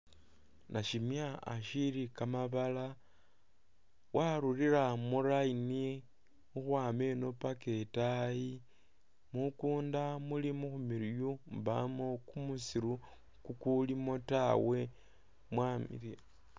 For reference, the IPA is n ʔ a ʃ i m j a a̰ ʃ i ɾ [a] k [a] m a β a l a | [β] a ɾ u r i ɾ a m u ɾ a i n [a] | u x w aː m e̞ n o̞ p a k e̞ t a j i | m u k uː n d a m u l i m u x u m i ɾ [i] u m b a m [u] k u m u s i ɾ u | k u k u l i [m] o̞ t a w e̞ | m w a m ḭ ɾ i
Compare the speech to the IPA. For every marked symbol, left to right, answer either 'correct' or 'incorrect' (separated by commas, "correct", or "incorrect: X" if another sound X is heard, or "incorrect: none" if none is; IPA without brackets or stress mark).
incorrect: i, correct, incorrect: w, incorrect: i, incorrect: j, incorrect: o, correct